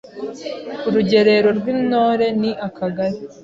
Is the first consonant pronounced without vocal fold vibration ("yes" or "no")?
no